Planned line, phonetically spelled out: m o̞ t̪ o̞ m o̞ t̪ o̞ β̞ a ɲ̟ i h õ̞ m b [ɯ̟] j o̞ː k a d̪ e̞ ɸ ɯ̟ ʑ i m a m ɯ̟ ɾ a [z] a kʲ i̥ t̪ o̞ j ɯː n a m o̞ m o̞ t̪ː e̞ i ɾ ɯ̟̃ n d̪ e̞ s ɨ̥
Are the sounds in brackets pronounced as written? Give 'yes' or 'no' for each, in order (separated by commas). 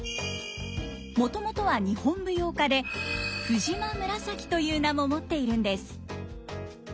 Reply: yes, no